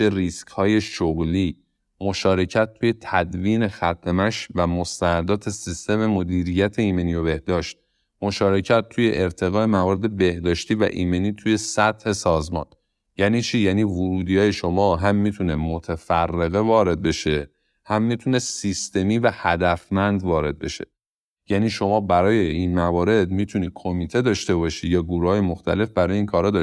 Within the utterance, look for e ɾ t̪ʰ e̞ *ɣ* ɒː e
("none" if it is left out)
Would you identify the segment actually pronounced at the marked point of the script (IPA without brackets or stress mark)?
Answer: ɣ